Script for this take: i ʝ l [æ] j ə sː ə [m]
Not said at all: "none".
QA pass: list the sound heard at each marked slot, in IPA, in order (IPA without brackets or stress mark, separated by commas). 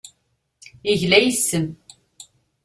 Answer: æ, m